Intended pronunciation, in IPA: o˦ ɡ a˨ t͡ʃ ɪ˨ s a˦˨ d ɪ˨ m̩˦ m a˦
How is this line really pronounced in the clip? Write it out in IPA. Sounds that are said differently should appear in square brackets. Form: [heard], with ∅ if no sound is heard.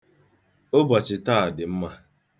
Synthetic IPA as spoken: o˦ [b] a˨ t͡ʃ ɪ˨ [t] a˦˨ d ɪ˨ m̩˦ m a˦